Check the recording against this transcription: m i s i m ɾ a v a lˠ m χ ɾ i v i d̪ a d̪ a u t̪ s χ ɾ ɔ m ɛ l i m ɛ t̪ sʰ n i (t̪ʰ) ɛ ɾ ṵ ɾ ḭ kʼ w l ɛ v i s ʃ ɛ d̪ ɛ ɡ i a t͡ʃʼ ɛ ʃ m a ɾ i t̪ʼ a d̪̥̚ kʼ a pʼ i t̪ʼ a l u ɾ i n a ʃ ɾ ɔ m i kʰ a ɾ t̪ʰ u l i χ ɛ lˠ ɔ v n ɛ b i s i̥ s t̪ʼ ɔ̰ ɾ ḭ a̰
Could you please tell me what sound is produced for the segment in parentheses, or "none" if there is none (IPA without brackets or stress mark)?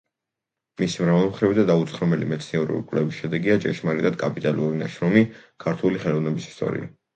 none